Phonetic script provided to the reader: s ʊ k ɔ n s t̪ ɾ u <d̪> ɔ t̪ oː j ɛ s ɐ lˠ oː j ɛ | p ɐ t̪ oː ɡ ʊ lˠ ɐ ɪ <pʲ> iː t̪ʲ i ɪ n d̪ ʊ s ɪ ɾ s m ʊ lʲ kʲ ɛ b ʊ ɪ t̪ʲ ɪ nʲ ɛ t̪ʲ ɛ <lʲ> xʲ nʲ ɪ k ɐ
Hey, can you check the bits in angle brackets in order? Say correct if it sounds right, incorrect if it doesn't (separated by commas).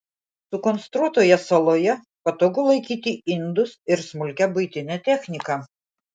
incorrect, incorrect, incorrect